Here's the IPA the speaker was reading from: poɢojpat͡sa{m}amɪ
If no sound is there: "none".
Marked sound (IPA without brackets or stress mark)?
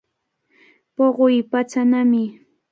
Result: n